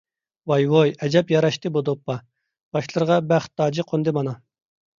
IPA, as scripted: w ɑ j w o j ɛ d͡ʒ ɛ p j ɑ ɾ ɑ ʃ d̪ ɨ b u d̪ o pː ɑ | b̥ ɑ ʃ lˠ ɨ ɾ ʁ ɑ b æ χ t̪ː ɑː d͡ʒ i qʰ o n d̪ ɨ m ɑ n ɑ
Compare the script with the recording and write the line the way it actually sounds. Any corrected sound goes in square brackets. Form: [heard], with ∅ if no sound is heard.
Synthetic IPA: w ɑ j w o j ɛ d͡ʒ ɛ p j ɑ ɾ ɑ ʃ [t̪] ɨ b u d̪ o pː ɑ | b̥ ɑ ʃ lˠ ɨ ɾ ʁ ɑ b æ χ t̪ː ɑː d͡ʒ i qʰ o n d̪ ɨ m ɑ n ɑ